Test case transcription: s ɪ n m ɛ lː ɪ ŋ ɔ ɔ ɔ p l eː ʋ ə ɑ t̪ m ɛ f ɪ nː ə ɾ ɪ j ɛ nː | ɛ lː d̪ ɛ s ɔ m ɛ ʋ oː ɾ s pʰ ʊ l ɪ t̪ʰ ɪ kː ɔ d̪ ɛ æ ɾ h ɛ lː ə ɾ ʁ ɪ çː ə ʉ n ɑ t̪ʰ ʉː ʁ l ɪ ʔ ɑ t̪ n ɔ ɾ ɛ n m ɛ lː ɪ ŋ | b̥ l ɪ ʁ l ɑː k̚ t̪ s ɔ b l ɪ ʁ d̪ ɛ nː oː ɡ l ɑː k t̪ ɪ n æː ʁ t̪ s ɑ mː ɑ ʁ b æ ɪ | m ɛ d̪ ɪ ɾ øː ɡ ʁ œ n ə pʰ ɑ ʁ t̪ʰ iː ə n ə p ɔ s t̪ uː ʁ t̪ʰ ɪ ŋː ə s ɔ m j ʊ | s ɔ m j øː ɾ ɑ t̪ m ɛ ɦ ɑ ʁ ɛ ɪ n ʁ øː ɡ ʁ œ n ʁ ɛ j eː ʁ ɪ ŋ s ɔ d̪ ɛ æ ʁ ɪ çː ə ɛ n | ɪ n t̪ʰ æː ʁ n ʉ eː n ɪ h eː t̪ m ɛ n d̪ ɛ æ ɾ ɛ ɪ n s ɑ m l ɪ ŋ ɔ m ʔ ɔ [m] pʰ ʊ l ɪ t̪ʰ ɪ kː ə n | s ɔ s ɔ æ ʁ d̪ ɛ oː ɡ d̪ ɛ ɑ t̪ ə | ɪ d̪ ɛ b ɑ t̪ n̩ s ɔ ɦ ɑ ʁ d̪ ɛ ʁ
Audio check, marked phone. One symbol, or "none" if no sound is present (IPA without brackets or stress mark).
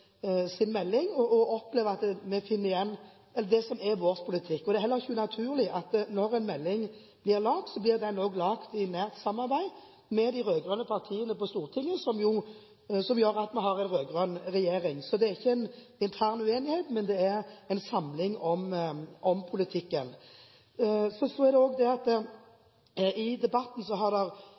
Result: m